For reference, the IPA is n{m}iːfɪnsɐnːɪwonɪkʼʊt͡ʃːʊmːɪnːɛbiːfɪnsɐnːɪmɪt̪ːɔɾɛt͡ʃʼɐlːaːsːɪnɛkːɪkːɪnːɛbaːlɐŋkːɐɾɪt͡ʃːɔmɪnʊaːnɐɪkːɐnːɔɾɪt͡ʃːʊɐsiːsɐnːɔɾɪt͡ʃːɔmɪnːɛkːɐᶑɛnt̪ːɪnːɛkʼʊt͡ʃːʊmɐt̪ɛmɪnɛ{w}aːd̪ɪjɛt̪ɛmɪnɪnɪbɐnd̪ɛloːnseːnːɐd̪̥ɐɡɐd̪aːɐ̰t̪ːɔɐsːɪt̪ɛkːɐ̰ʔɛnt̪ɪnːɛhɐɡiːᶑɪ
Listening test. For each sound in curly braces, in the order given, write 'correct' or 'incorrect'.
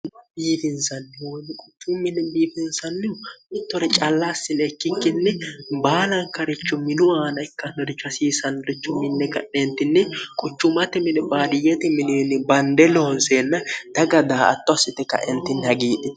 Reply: incorrect, incorrect

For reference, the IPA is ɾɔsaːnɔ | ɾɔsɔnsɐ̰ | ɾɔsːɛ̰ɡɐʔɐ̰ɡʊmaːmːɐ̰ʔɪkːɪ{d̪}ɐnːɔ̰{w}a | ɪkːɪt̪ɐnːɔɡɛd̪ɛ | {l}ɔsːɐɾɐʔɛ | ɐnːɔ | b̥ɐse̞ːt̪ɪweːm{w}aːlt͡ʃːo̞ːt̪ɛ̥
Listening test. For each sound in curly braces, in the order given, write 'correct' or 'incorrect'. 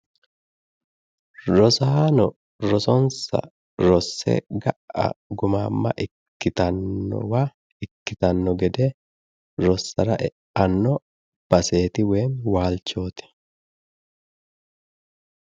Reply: incorrect, correct, incorrect, correct

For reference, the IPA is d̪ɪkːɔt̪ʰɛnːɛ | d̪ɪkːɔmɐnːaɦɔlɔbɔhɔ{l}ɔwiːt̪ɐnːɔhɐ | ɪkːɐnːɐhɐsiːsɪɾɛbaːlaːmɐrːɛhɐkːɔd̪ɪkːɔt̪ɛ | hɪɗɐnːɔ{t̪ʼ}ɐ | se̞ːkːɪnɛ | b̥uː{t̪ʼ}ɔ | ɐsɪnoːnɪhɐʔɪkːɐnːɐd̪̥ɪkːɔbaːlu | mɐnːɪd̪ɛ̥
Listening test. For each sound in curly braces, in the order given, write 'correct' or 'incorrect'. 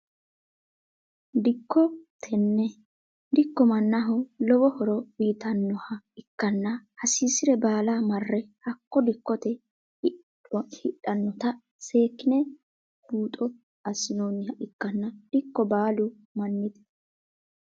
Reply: incorrect, incorrect, correct

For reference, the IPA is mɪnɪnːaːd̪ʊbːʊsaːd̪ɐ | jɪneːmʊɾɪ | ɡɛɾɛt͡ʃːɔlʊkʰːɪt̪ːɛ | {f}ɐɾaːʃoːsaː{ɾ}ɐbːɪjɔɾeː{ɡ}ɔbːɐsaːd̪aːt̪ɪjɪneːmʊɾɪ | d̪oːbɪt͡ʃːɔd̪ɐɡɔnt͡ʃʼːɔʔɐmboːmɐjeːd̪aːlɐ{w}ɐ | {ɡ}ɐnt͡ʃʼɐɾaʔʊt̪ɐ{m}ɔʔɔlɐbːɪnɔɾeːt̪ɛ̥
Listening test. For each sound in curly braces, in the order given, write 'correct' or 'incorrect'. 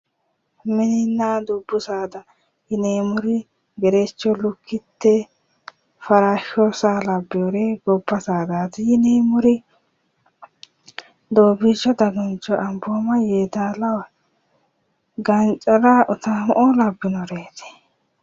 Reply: correct, incorrect, correct, correct, correct, correct

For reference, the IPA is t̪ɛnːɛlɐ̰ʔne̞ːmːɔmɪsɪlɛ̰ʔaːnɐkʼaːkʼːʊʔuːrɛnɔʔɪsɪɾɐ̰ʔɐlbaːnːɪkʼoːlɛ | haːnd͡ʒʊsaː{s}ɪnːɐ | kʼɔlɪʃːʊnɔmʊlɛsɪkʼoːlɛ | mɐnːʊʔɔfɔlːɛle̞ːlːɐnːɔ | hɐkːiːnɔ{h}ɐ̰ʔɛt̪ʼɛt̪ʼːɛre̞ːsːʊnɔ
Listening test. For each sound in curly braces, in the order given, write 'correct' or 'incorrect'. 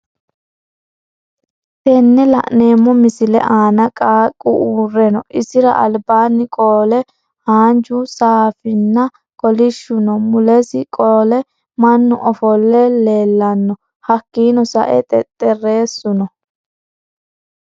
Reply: incorrect, incorrect

